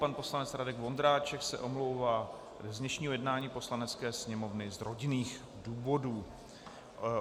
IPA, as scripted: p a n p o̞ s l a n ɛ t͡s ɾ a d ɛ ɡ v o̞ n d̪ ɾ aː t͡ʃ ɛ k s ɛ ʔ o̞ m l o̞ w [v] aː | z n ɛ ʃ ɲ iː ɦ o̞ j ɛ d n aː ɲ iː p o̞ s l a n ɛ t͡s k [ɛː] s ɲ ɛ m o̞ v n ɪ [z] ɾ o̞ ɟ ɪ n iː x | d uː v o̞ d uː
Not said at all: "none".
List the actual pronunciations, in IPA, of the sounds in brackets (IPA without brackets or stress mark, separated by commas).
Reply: v, ɛː, z